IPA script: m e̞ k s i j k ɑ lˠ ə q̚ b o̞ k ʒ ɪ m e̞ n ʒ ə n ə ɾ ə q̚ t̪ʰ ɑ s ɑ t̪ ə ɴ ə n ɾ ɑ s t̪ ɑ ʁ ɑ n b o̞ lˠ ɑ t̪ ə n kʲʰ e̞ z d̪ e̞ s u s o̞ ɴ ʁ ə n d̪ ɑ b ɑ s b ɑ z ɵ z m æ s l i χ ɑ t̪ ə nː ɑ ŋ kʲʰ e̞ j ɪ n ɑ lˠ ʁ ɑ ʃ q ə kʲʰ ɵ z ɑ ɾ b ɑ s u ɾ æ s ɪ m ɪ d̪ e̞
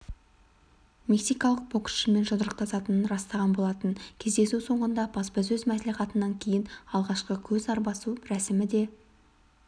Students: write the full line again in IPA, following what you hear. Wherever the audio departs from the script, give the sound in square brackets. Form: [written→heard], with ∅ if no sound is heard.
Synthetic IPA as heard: m e̞ k s i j k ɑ lˠ ə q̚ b o̞ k [ʒ→ʃ] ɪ m e̞ n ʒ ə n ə ɾ ə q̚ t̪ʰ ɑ s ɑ t̪ ə [ɴ→n] ə n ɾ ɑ s t̪ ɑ ʁ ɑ n b o̞ lˠ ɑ t̪ ə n kʲʰ e̞ z d̪ e̞ s u s o̞ ɴ ʁ ə n d̪ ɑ b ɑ s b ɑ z ɵ z m æ s l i χ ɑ t̪ ə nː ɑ ŋ kʲʰ e̞ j ɪ n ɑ lˠ ʁ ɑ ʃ q ə kʲʰ ɵ z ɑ ɾ b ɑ s u ɾ æ s ɪ m ɪ d̪ e̞